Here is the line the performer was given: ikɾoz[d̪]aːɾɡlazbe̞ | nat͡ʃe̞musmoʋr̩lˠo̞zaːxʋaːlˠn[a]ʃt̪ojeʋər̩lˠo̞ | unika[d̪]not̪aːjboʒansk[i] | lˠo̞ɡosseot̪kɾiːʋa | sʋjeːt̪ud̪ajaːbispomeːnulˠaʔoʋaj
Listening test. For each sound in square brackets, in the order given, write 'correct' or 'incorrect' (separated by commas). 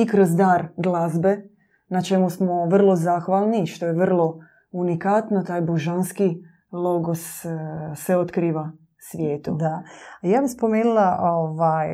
correct, incorrect, incorrect, correct